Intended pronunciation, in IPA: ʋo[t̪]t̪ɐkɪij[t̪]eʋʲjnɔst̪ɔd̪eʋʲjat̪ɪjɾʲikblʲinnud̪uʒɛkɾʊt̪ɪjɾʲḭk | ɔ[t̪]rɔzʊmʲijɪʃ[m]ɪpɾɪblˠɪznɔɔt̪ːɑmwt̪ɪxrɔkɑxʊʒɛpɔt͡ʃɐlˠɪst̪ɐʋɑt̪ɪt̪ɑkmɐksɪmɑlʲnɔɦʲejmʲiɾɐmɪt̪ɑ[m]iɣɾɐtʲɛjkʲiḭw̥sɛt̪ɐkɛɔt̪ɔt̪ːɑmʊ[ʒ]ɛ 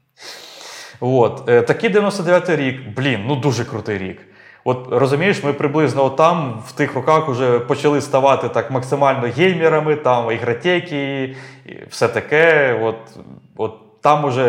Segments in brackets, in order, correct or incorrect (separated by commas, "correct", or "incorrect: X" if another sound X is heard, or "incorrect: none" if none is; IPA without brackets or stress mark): correct, incorrect: d̪, correct, correct, correct, correct